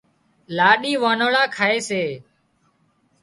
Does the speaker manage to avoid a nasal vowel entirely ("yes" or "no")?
yes